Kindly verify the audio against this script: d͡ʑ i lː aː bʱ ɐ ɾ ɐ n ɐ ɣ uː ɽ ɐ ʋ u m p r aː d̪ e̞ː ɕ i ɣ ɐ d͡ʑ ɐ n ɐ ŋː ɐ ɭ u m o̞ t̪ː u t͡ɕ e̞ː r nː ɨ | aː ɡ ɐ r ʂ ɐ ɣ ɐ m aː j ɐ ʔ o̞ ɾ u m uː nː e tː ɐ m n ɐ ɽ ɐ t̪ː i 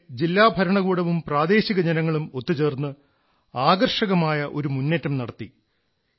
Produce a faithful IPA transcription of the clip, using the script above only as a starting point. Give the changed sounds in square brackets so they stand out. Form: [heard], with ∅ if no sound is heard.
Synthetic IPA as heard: d͡ʑ i lː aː bʱ ɐ ɾ ɐ [ɳ] ɐ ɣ uː ɽ ɐ ʋ u m p r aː d̪ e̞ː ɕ i ɣ ɐ d͡ʑ ɐ n ɐ ŋː ɐ ɭ u m o̞ t̪ː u t͡ɕ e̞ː r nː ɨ | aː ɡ ɐ r ʂ ɐ ɣ ɐ m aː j ɐ ʔ o̞ ɾ u m [u] nː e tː ɐ m n ɐ ɽ ɐ t̪ː i

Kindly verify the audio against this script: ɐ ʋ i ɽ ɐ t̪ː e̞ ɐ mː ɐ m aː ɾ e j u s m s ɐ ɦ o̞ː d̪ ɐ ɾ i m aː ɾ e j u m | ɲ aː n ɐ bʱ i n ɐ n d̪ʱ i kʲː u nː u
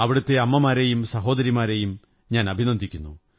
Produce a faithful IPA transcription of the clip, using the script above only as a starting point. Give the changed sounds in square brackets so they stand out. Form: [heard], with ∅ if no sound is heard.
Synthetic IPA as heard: ɐ ʋ i ɽ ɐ t̪ː e̞ ɐ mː ɐ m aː ɾ e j u [∅] m s ɐ ɦ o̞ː d̪ ɐ ɾ i m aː ɾ e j u m | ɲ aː n ɐ bʱ i n ɐ n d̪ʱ i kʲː u nː u

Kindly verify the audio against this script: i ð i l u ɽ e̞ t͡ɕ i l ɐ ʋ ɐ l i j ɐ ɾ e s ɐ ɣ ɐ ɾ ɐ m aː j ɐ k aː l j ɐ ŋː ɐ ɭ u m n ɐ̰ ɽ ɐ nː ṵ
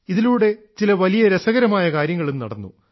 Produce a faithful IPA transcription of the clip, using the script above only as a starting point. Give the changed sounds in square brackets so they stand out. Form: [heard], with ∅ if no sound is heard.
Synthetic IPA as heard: i ð i l [uː] ɽ e̞ t͡ɕ i l ɐ ʋ ɐ l i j ɐ ɾ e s ɐ ɣ ɐ ɾ ɐ m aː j ɐ k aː [ɾ] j ɐ ŋː ɐ ɭ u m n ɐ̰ ɽ ɐ nː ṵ

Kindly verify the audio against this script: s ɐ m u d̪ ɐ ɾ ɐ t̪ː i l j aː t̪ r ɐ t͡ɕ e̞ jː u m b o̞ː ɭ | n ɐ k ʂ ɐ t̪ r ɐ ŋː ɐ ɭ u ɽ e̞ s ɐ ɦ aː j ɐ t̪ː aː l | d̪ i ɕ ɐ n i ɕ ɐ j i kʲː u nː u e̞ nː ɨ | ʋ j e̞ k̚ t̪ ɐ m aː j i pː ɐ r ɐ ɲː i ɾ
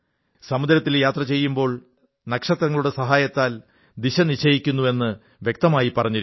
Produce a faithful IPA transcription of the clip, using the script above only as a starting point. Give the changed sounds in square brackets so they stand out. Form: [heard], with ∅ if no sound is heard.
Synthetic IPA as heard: s ɐ m u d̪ ɐ ɾ ɐ t̪ː i l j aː t̪ r ɐ t͡ɕ e̞ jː u m b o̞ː ɭ | n ɐ k ʂ ɐ t̪ r ɐ ŋː ɐ ɭ u ɽ e̞ s ɐ ɦ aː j ɐ t̪ː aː l | d̪ i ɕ ɐ n i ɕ ɐ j i kʲː u nː u e̞ nː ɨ | ʋ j e̞ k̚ t̪ ɐ m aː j i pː ɐ r ɐ ɲː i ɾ

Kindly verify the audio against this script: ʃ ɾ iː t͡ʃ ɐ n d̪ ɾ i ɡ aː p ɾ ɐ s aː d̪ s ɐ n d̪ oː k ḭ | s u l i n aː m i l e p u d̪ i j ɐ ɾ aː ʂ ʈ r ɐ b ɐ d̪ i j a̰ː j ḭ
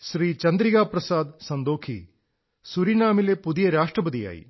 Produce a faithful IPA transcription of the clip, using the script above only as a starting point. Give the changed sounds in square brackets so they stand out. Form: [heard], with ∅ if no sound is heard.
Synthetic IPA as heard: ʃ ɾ iː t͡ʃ ɐ n d̪ ɾ i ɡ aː p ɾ ɐ s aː d̪ s ɐ n d̪ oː [kʰ] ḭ | s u [ɾ] i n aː m i l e p u d̪ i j ɐ ɾ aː ʂ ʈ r ɐ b ɐ d̪ i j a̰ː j ḭ

